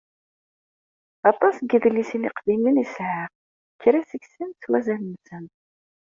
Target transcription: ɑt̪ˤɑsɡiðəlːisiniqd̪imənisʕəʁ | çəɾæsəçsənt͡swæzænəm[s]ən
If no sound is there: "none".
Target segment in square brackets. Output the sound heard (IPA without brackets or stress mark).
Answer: s